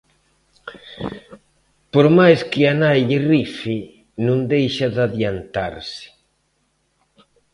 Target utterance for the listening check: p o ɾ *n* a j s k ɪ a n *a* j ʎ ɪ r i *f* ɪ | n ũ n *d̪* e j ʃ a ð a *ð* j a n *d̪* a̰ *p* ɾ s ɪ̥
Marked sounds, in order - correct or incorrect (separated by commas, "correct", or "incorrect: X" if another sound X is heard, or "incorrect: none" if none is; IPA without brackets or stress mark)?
incorrect: m, correct, correct, correct, correct, incorrect: t̪, incorrect: none